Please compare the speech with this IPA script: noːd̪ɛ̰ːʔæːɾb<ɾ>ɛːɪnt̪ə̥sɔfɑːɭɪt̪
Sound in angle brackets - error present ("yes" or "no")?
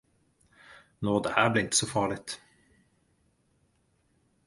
yes